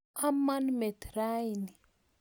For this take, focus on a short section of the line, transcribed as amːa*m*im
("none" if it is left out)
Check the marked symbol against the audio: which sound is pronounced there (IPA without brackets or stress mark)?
n